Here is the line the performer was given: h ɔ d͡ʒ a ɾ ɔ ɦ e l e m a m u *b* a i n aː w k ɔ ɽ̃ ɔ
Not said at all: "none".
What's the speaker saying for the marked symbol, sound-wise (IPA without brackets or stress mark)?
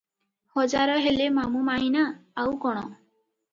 m